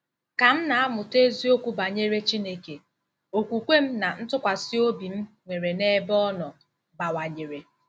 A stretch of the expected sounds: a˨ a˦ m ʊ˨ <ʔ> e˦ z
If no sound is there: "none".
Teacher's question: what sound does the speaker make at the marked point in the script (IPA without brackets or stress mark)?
t